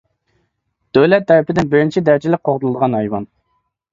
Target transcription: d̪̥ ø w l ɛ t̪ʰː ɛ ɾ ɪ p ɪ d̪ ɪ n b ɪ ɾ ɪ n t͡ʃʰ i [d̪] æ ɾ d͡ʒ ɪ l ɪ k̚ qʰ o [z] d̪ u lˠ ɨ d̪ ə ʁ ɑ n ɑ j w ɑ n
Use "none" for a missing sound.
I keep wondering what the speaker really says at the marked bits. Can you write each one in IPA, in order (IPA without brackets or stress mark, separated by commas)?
d̪, ʁ